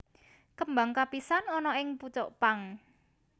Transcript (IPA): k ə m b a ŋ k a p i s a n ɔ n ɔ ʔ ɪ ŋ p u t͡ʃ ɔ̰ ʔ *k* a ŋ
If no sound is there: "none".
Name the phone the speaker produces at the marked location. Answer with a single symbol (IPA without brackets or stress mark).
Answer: p